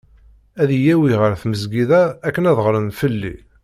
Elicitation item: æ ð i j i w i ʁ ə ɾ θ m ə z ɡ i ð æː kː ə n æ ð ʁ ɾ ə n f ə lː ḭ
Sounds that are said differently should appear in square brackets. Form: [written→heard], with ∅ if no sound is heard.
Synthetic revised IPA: æ ð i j [i→æ] w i ʁ ə ɾ θ m ə z ɡ i ð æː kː ə n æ ð ʁ ɾ ə n f ə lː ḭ